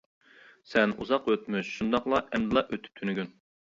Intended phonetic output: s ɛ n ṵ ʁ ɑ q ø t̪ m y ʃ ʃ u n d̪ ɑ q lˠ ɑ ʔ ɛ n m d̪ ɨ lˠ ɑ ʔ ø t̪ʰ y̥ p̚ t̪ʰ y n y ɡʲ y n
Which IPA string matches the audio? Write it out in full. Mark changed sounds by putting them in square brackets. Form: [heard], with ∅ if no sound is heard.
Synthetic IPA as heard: s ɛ n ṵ [z] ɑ q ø t̪ m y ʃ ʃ u n d̪ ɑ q lˠ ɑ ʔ ɛ [∅] m d̪ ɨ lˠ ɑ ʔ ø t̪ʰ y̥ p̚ t̪ʰ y n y ɡʲ y n